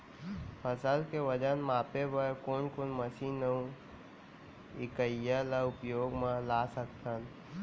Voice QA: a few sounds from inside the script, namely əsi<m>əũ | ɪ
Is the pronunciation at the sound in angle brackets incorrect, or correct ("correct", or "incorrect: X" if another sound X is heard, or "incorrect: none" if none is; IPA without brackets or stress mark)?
incorrect: n